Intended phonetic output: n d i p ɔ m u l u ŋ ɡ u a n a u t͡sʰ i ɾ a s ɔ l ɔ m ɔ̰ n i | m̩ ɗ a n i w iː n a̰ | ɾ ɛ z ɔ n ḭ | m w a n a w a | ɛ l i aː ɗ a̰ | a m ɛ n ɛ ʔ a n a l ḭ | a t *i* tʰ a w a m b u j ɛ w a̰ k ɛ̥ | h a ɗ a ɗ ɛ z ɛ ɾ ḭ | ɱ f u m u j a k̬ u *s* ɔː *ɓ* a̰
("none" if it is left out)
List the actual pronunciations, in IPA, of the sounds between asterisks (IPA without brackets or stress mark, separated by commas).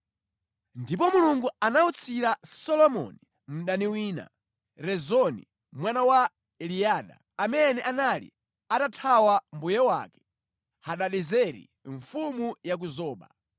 a, z, ɓ